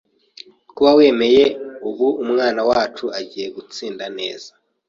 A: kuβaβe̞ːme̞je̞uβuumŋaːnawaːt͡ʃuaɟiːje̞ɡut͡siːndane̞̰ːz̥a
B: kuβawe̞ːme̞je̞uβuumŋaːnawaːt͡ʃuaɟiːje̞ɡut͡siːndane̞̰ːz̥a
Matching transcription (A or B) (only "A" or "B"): B